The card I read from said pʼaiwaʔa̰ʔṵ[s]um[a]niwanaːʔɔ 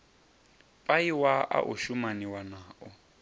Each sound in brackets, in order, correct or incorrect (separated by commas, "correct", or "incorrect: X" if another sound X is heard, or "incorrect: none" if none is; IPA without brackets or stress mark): incorrect: ʃ, correct